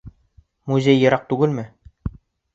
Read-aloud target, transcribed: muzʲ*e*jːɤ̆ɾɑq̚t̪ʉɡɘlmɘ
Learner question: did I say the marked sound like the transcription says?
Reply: yes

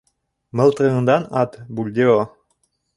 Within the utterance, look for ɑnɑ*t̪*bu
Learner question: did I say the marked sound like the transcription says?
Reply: yes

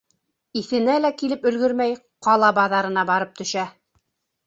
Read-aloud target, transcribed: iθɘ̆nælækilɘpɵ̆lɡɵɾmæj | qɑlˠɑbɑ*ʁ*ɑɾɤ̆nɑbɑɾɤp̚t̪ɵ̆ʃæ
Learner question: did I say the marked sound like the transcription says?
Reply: no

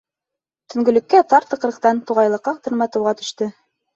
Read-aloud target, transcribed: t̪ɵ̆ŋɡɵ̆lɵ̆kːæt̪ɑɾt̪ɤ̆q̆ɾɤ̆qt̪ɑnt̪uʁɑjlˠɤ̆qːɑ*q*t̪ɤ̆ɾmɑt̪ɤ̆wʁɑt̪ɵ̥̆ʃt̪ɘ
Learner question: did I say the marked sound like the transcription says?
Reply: yes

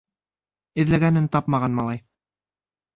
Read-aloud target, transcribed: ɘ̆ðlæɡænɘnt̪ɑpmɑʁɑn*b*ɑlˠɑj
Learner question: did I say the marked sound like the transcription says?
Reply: no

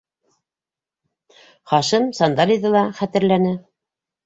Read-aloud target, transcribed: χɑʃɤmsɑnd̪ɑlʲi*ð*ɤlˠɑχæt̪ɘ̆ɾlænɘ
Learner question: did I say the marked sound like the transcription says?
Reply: yes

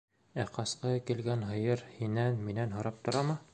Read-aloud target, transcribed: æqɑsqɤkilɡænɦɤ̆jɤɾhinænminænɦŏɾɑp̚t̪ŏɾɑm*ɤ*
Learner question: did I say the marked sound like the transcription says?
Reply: yes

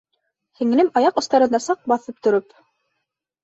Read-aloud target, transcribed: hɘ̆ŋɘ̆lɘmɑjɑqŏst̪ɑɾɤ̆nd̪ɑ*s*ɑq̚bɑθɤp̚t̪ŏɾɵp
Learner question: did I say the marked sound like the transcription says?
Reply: yes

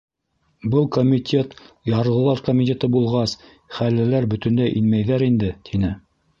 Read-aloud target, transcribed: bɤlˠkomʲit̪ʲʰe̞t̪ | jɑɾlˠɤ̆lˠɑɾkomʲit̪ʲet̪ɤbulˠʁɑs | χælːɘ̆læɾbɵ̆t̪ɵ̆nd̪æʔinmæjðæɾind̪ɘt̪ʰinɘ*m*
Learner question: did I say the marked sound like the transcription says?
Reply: no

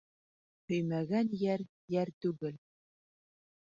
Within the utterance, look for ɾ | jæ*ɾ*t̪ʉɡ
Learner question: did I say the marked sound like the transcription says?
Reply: yes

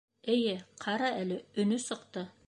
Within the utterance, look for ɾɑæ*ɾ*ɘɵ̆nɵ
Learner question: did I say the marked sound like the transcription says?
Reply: no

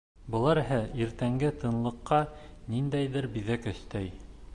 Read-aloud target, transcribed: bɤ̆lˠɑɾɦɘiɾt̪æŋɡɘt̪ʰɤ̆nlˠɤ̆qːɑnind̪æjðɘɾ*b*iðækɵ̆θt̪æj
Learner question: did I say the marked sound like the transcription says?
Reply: yes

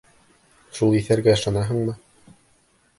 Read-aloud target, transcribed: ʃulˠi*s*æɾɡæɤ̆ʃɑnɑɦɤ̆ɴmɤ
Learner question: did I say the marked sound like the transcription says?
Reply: no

